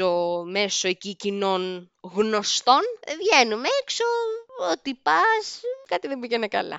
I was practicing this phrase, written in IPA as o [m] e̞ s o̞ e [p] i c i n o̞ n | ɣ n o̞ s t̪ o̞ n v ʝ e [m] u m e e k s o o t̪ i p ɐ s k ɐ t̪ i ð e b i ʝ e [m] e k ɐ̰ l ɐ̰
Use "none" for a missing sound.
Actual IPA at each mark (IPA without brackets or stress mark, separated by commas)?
m, c, n, n